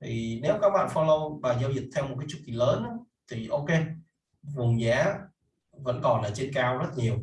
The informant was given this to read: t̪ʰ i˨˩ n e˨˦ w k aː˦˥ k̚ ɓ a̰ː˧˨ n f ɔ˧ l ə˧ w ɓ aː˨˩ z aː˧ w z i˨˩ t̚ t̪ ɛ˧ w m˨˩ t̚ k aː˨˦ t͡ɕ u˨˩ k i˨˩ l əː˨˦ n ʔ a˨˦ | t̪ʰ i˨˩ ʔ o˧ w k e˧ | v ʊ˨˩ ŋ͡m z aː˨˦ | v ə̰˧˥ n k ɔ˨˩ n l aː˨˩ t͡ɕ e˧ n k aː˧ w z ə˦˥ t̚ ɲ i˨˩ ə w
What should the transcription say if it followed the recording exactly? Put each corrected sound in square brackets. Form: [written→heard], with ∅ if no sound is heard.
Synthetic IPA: t̪ʰ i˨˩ n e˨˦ w k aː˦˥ k̚ ɓ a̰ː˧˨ n f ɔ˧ l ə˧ w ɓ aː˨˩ z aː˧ w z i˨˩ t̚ [t̪→t̪ʰ] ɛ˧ w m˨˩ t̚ k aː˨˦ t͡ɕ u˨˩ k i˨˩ l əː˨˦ n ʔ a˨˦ | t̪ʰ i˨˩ ʔ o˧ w k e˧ | v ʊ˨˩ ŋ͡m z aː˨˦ | v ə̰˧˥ n k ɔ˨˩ n l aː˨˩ t͡ɕ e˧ n k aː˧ w z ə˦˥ t̚ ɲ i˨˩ ə w

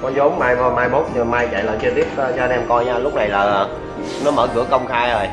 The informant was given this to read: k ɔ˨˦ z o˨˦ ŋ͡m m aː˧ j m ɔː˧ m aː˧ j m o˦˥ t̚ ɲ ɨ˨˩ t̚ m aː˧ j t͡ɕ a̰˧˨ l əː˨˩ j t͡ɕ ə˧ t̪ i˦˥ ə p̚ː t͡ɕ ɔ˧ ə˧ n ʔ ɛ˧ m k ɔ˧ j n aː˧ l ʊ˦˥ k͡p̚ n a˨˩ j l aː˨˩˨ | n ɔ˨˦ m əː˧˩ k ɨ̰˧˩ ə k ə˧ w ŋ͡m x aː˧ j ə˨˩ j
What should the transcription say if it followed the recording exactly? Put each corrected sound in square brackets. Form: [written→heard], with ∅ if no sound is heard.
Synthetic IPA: k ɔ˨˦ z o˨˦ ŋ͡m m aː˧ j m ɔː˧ m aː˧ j m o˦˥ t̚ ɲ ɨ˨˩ [t̚→∅] m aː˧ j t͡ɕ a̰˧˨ l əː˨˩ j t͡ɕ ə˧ t̪ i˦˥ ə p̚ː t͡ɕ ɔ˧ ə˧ n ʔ ɛ˧ m k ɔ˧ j [n→ɲ] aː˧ l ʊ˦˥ k͡p̚ n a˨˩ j l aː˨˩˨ | n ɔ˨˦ m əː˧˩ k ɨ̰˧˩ ə k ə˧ w ŋ͡m x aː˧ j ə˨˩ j

